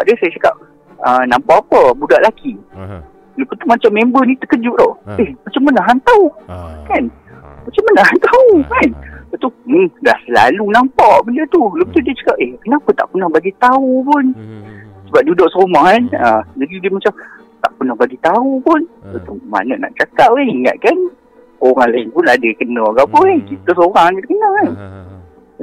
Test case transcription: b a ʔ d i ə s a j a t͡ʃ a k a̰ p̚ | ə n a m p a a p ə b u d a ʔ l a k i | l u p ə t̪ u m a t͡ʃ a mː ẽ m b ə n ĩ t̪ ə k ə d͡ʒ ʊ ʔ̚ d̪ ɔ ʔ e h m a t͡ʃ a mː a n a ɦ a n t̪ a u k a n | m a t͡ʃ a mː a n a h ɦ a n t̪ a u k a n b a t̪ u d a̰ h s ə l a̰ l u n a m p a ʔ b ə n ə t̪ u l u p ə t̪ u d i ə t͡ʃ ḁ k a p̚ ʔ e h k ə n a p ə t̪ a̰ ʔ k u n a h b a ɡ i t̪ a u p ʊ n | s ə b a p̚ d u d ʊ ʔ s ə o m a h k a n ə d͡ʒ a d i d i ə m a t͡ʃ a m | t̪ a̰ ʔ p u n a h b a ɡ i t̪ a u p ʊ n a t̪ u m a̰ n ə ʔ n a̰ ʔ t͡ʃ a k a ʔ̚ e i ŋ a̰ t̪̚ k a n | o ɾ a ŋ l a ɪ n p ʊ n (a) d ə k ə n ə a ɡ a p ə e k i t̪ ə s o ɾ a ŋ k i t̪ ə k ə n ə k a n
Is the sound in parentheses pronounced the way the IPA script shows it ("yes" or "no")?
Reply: yes